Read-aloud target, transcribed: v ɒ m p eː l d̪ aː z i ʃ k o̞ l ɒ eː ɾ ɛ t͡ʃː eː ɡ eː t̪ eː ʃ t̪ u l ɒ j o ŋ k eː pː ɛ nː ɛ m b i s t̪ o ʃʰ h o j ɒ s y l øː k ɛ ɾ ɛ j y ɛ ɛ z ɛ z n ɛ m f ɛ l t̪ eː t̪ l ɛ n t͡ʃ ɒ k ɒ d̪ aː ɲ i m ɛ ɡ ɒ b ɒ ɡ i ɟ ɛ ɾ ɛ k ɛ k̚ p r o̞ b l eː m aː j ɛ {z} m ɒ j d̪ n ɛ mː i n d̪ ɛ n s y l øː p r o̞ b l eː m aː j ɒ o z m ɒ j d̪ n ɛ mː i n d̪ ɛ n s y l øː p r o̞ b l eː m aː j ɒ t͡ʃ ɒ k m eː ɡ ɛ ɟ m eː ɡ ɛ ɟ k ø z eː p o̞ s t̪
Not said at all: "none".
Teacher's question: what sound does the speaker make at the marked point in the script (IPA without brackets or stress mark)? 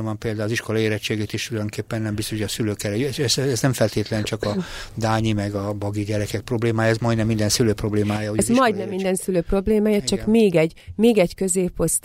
z